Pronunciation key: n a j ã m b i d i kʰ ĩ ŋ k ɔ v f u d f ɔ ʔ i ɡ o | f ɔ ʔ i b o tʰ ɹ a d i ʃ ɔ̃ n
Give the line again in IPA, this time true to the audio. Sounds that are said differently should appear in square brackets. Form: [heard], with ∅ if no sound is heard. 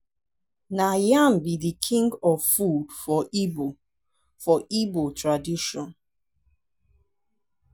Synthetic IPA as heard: n a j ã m b i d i kʰ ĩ ŋ [ɡ] ɔ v f u d f ɔ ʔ i [b] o | f ɔ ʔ i b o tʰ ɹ a d i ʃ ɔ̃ n